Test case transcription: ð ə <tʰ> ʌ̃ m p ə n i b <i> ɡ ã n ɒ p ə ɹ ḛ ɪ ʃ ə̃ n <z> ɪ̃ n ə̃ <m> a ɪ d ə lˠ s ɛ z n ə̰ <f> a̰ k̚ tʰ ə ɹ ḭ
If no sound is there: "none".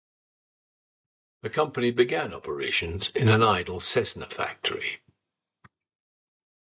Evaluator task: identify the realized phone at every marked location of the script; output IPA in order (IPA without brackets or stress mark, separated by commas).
kʰ, ɪ, z, n, f